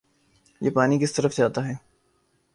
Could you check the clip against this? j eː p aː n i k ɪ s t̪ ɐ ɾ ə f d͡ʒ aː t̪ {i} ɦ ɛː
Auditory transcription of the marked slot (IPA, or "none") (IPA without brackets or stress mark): a